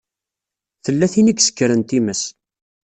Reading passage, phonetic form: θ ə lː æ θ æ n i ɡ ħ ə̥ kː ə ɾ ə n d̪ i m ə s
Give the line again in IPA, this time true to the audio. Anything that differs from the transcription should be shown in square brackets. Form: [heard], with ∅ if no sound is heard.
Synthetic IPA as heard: θ ə lː æ θ [i] n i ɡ [s] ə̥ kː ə ɾ ə n [t̪] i m ə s